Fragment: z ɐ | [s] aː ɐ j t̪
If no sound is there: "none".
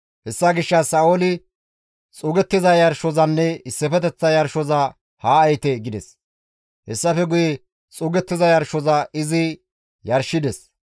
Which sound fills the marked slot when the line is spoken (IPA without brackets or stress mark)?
h